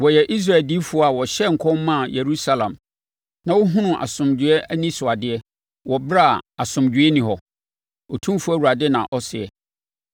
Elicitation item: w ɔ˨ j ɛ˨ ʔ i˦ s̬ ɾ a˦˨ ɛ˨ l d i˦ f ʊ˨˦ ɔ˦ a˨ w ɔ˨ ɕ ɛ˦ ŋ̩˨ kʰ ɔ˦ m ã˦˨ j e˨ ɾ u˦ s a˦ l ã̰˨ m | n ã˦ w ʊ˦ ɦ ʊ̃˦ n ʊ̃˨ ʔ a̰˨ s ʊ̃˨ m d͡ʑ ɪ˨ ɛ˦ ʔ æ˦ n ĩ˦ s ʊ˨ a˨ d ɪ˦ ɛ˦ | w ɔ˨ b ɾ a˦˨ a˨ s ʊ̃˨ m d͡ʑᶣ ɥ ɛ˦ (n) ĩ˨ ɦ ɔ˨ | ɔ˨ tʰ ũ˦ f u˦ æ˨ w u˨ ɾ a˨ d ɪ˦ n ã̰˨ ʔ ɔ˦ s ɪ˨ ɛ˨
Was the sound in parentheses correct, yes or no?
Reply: yes